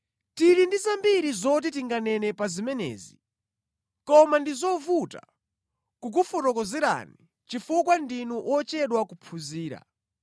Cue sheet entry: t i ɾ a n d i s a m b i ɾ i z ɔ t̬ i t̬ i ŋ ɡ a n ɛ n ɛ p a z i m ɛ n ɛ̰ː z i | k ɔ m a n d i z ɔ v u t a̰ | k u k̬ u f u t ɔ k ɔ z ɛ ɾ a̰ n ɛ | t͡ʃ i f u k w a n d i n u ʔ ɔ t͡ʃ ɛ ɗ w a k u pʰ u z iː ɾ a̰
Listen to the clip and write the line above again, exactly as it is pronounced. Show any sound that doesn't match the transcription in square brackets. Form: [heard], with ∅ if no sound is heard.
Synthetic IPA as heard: t i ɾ [i] n d i [z] a m b i ɾ i z ɔ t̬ i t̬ i ŋ ɡ a n ɛ n ɛ p a z i m ɛ n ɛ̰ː z i | k ɔ m a n d i z ɔ v u t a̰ | k u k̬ u f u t ɔ k ɔ z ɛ ɾ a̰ n [i] | t͡ʃ i f u k w a n d i n u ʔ ɔ t͡ʃ ɛ ɗ w a k u pʰ u z iː ɾ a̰